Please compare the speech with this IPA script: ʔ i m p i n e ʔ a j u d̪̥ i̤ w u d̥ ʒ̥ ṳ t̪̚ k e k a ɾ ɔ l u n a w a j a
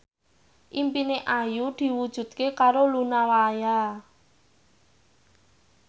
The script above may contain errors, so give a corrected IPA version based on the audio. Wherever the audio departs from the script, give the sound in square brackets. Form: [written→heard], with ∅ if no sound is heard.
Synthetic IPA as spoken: ʔ i m p i n e ʔ a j u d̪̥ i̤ w u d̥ ʒ̥ ṳ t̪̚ k e k a ɾ [ɔ→o] l u n a w a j a